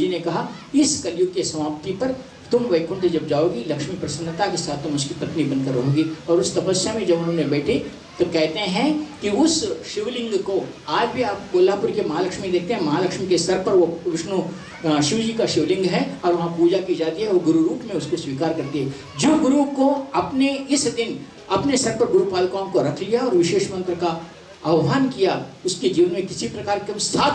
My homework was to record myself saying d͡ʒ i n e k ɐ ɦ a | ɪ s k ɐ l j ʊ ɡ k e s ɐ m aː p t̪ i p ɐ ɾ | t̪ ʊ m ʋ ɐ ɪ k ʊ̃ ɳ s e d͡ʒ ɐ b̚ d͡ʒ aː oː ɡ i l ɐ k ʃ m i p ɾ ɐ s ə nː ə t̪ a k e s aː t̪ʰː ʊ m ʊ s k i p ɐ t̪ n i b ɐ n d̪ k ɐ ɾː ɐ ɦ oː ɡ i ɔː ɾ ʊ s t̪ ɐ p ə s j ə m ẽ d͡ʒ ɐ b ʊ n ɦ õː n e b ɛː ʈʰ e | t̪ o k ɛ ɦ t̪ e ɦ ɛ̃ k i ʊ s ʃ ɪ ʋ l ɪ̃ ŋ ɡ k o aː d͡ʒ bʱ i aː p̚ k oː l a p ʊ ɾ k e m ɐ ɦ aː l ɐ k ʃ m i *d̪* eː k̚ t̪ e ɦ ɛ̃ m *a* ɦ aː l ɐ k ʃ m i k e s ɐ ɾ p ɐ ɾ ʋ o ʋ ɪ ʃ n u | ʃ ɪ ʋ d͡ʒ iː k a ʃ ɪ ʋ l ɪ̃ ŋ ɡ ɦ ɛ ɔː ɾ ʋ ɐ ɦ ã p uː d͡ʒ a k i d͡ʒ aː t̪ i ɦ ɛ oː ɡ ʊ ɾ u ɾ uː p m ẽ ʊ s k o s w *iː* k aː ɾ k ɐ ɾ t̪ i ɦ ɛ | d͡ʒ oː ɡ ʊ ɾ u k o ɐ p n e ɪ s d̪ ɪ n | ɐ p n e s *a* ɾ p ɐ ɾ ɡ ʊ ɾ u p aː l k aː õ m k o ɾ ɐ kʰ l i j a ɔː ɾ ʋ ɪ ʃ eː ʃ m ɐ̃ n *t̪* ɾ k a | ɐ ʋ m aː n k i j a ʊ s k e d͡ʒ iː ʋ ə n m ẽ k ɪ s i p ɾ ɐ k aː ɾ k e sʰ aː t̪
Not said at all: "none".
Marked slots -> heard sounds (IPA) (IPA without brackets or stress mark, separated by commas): d̪, ɐ, iː, ɐ, t̪